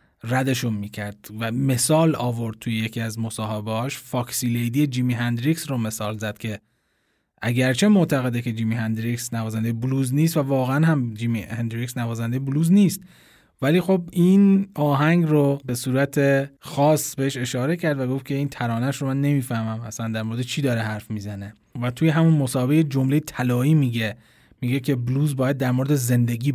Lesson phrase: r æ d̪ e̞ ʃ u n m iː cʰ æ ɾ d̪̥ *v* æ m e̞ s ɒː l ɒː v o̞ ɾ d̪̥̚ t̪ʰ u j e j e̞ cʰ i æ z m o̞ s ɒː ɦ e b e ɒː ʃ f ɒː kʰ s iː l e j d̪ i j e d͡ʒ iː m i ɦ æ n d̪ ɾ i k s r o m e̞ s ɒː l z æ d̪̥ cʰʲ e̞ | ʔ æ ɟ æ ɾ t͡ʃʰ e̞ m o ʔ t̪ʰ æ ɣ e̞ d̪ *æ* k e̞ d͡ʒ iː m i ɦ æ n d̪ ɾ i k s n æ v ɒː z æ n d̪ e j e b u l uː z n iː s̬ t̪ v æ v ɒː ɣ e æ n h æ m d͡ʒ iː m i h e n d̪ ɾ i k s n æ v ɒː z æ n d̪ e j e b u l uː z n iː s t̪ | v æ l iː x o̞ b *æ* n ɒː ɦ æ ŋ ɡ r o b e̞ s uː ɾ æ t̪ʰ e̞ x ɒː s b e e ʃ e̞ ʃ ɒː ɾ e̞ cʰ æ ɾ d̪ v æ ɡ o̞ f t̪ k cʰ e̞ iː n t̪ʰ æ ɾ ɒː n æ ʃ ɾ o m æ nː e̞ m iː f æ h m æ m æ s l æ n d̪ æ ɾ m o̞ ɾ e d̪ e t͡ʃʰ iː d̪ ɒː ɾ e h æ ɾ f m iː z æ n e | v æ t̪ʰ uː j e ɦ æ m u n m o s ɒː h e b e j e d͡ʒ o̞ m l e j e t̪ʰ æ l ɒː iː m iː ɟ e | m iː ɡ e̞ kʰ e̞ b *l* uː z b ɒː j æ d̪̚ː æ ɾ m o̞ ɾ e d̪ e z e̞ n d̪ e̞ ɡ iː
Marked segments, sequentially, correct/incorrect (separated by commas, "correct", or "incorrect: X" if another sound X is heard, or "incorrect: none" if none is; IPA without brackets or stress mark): correct, incorrect: e, incorrect: i, correct